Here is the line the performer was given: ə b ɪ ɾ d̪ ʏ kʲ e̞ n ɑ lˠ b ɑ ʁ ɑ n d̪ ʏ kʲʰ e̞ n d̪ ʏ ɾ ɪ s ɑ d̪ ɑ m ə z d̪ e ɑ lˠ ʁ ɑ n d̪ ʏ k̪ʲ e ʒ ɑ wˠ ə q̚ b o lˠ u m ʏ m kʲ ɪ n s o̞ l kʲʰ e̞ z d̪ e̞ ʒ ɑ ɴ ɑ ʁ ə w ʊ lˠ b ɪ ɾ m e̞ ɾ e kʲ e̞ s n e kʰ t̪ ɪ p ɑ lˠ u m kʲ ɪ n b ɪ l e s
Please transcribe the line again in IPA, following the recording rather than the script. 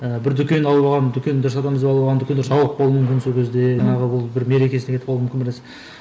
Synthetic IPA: ə b ɪ ɾ d̪ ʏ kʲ e̞ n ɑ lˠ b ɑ ʁ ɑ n d̪ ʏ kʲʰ e̞ n d̪ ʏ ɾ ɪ s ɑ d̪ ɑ m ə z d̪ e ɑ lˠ ʁ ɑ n d̪ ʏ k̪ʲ e ʒ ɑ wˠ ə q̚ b o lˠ u m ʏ m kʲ ɪ n s o̞ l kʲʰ e̞ z d̪ e̞ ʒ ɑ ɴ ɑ ʁ ə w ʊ lˠ b ɪ ɾ m e̞ ɾ e kʲ e̞ s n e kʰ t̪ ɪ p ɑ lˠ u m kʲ ɪ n b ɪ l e s